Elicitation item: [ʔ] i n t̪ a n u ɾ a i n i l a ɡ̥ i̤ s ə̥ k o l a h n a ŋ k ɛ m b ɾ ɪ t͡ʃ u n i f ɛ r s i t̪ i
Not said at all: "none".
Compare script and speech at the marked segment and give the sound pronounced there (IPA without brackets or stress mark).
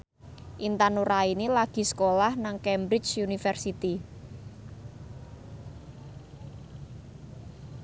ʔ